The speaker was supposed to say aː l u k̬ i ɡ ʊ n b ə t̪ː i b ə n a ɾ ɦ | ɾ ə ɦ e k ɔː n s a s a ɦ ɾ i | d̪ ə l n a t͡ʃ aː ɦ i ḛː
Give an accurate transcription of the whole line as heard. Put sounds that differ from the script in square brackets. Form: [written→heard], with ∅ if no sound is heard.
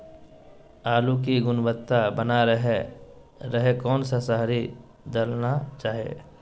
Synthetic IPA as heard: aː l u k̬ i ɡ ʊ n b ə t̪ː [i→a] b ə n a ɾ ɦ | ɾ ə ɦ e k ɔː n s a s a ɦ ɾ i | d̪ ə l n a t͡ʃ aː ɦ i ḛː

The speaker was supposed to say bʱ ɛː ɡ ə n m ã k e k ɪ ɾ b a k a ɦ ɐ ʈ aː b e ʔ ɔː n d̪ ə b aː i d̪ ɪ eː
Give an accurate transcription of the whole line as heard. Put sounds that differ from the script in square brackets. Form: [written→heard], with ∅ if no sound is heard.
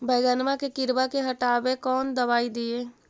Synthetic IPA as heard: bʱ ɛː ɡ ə n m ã k e k ɪ ɾ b a k [a→e] ɦ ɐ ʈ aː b e [ʔ→k] ɔː n d̪ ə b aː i d̪ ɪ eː

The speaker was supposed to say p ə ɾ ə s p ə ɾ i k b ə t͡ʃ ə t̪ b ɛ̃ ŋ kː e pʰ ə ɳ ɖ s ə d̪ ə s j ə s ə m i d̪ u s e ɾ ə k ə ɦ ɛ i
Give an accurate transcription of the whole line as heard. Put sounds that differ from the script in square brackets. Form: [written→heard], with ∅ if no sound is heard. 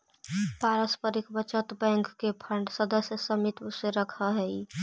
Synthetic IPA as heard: p [ə→a] ɾ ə s p ə ɾ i k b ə t͡ʃ ə t̪ b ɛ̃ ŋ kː e pʰ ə ɳ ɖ s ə d̪ ə s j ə s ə m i [d̪→t̪] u s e ɾ ə [k→kʰ] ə ɦ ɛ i

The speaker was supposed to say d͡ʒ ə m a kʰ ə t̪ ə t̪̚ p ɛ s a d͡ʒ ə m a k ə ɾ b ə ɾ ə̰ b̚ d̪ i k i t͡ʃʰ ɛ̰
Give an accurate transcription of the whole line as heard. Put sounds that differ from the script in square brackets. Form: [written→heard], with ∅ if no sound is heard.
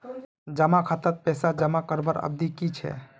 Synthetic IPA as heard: d͡ʒ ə m a kʰ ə t̪ ə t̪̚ p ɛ s a d͡ʒ ə m a k ə ɾ b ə ɾ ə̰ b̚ d̪ i k i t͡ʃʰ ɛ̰

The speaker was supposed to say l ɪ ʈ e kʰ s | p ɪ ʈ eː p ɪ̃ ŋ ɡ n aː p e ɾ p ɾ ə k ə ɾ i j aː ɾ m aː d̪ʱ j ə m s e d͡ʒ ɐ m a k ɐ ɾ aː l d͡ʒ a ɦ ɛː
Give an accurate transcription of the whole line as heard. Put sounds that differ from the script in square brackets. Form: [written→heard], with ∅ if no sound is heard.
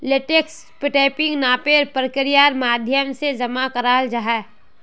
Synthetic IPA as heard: l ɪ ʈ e [kʰ→k] s | p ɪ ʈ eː p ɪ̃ ŋ ɡ n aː p e ɾ p ɾ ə k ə ɾ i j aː ɾ m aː d̪ʱ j ə m s e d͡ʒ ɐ m a k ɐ ɾ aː l d͡ʒ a ɦ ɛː

